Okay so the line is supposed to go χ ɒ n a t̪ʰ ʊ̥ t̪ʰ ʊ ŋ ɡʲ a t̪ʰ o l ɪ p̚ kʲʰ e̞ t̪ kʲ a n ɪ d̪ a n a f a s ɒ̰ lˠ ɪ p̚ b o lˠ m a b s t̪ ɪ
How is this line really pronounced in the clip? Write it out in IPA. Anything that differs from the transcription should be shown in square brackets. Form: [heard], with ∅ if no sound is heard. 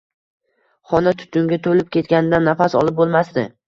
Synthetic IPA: χ ɒ n a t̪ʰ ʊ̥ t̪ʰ ʊ ŋ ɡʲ a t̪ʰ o l ɪ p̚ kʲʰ e̞ t̪ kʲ a n ɪ d̪ a [nː] a f a s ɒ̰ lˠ ɪ p̚ b o lˠ m a [∅] s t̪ ɪ